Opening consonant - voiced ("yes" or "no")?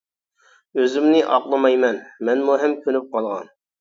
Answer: yes